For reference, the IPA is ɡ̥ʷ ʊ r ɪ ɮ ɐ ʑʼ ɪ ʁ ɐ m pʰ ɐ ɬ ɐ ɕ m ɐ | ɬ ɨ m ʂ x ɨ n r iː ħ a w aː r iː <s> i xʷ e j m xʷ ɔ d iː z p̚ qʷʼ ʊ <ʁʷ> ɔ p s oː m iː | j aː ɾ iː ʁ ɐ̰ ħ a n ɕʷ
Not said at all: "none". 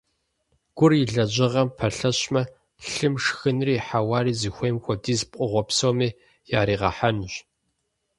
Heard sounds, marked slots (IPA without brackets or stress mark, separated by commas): z, ʁʷ